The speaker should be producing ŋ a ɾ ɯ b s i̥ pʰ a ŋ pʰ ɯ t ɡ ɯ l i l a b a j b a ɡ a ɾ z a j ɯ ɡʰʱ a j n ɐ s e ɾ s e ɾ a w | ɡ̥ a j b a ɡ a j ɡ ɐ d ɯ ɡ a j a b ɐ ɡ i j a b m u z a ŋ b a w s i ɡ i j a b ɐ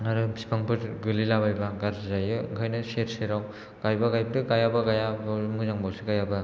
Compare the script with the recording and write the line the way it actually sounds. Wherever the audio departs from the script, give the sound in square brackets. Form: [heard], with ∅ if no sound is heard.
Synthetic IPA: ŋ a ɾ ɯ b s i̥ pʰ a ŋ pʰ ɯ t ɡ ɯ l i l a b a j b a ɡ a ɾ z a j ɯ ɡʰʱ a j n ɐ s e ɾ s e ɾ a w | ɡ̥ a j b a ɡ a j [b] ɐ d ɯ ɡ a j a b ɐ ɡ [a] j a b m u z a ŋ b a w s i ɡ [a] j a b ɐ

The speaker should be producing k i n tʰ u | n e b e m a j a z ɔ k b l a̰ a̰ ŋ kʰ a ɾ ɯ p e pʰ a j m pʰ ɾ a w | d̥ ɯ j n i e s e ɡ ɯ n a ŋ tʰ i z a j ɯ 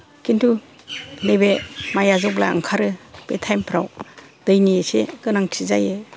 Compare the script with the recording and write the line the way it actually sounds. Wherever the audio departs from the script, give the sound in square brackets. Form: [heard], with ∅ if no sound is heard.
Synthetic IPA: k i n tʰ u | n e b e m a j a z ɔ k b l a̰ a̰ ŋ kʰ a ɾ ɯ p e [tʰ] a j m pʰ ɾ a w | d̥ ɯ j n i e s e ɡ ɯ n a ŋ tʰ i z a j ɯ

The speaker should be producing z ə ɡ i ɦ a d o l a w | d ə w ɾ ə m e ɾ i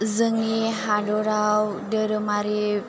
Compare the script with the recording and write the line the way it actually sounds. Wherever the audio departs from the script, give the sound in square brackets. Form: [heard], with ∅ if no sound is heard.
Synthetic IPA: z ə [ŋ] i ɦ a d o [ɾ] a w | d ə [∅] ɾ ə m [a] ɾ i

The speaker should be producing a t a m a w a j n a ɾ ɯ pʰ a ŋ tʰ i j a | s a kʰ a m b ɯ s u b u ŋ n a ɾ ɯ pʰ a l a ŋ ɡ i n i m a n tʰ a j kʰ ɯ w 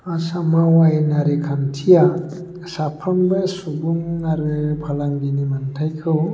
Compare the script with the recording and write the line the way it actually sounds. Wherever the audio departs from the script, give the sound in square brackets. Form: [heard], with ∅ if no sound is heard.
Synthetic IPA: a [s] a m a w a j n a ɾ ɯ [kʰ] a [n] tʰ i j a | s a [pʰ] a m b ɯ s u b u ŋ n a ɾ ɯ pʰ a l a ŋ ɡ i n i m a n tʰ a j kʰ ɯ w

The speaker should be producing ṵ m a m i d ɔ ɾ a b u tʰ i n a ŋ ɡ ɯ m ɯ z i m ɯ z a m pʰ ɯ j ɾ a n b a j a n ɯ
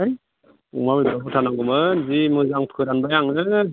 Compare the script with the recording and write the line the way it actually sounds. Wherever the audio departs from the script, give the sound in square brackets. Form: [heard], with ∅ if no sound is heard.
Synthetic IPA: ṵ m a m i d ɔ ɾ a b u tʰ [a] n a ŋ ɡ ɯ m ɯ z i m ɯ z a [ŋ] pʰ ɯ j ɾ a n b a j a [ŋ] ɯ

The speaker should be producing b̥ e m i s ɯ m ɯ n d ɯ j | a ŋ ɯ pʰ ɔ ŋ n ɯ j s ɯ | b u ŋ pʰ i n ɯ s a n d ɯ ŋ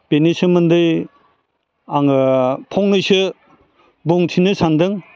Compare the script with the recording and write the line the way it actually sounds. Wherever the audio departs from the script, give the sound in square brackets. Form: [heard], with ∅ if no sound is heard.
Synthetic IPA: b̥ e [n] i s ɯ m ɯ n d ɯ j | a ŋ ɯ pʰ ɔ ŋ n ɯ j s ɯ | b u ŋ [tʰ] i n ɯ s a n d ɯ ŋ

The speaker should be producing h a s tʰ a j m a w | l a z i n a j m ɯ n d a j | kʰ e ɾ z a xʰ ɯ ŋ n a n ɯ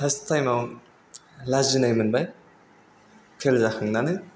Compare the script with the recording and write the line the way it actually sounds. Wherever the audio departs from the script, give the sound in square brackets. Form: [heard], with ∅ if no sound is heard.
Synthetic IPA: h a s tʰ a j m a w | l a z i n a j m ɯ n [b] a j | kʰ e [l] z a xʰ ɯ ŋ n a n ɯ

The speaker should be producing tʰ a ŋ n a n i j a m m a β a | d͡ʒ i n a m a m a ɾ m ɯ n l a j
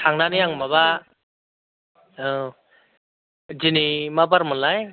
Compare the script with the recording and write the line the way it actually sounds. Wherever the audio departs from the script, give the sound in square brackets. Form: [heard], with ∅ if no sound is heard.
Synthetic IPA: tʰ a ŋ n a n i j a [ŋ] m a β a | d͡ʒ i n [i] m a [b] a ɾ m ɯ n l a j

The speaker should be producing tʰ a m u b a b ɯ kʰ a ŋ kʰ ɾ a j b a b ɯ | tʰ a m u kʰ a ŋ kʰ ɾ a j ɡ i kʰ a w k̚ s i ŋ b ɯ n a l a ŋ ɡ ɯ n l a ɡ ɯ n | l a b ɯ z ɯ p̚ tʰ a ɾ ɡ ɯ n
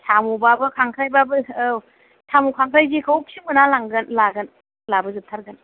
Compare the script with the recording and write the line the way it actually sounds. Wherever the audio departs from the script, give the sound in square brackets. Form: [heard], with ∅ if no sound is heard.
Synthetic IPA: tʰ a m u b a b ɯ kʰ a ŋ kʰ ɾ a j b a b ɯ | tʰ a m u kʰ a ŋ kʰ ɾ a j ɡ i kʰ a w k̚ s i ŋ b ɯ n a l a ŋ ɡ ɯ n l a ɡ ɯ n | l a b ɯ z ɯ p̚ tʰ a ɾ ɡ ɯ n

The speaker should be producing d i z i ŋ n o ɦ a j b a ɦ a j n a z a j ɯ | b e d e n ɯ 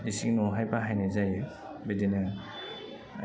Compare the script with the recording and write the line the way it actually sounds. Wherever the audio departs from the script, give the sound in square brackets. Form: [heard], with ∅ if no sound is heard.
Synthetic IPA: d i [s] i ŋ n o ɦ a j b a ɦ a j n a z a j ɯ | b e d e n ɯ

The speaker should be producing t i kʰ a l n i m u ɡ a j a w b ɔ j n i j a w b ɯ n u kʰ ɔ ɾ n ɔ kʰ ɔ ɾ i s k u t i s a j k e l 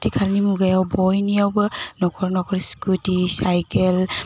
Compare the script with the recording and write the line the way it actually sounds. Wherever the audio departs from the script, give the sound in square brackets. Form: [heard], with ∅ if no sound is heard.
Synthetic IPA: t i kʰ a l n i m u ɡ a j a w b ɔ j n i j a w b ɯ n [ɔ] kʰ ɔ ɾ n ɔ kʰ ɔ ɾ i s k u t i s a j k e l

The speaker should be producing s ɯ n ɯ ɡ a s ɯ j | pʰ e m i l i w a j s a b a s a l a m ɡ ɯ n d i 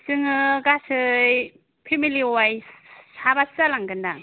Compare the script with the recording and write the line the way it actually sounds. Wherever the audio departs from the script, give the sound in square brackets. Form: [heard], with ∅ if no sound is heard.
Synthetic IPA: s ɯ [ŋ] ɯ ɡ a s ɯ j | pʰ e m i l i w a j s a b a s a l a [ŋ] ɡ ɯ n d [a]

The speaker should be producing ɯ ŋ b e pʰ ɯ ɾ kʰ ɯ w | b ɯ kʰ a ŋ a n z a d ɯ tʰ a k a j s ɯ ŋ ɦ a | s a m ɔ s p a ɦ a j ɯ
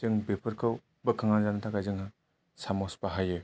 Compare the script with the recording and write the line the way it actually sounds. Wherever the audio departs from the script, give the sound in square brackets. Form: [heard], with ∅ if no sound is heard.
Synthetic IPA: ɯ ŋ b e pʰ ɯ ɾ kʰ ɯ w | b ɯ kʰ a ŋ a n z a [n] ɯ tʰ a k a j [z] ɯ ŋ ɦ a | s a m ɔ s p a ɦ a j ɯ

